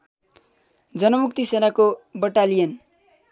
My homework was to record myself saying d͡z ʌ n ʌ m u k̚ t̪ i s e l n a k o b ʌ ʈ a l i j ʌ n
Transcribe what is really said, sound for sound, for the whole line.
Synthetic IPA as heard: d͡z ʌ n ʌ m u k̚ t̪ i s e n a k o b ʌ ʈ a l i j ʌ n

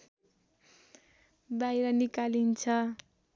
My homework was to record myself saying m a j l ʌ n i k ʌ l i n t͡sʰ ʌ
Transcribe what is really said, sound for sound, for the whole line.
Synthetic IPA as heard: b a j ɾ ʌ n i k a l i n t͡sʰ ʌ

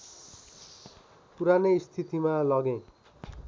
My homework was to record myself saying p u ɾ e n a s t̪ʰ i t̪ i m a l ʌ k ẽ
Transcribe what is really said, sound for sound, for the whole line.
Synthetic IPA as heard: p u ɾ a n e s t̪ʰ i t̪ i m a l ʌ ɡ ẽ

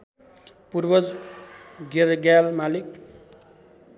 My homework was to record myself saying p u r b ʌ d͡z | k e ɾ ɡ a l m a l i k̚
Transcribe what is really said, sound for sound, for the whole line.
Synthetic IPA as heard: p u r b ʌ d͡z | ɡ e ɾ ɡ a l m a l i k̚

